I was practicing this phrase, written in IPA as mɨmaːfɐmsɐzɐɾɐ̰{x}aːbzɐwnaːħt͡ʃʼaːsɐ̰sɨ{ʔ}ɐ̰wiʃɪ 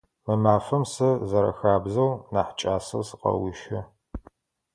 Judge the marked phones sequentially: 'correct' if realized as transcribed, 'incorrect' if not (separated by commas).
correct, incorrect